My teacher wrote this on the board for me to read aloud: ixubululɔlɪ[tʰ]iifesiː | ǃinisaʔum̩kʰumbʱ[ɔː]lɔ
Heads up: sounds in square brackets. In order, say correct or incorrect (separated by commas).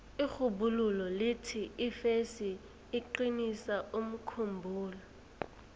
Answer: correct, incorrect